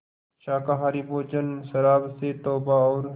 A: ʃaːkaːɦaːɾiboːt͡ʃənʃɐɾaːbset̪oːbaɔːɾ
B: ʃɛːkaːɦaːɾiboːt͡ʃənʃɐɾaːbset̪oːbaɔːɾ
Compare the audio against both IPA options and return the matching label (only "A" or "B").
A